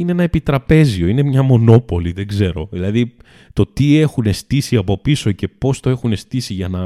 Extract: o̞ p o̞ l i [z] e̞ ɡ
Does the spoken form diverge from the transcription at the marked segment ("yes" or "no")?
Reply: yes